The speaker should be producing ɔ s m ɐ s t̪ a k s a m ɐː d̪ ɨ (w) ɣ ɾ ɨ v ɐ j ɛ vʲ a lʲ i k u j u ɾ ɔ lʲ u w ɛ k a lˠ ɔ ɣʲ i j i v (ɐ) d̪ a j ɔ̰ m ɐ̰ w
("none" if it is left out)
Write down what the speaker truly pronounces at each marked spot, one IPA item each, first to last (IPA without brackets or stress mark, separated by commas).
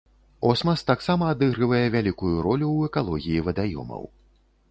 none, ɐ